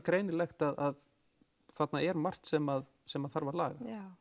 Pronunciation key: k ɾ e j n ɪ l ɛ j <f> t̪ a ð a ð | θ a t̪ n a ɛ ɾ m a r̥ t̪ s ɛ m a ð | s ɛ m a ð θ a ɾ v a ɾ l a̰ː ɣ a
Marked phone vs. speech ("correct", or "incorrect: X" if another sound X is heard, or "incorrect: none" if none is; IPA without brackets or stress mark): incorrect: x